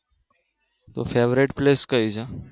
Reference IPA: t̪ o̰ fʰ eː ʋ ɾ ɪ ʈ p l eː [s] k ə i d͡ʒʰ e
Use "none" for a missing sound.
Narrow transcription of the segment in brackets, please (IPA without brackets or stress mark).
s